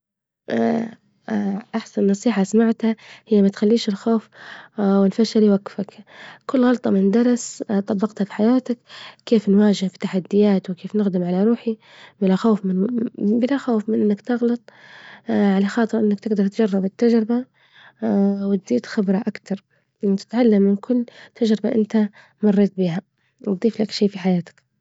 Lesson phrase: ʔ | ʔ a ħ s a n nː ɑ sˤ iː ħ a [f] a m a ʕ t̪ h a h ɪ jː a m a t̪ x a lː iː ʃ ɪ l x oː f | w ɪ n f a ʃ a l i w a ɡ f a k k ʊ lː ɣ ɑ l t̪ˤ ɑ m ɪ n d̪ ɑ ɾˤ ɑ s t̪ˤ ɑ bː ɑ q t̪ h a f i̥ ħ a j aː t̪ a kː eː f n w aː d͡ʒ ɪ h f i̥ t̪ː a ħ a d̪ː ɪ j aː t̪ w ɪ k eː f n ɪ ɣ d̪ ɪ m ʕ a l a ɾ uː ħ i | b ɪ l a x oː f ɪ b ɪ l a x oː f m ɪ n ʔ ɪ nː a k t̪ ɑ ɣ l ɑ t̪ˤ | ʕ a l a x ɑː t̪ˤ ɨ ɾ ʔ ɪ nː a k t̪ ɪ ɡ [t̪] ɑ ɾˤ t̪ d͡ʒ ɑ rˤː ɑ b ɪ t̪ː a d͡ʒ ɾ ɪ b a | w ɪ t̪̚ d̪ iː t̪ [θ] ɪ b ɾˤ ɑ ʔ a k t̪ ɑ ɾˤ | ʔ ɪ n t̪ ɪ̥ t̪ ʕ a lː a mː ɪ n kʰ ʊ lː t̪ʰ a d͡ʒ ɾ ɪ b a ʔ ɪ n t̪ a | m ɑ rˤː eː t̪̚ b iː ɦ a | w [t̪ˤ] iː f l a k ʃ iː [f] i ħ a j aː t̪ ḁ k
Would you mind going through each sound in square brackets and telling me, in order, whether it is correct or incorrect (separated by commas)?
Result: incorrect, incorrect, incorrect, incorrect, correct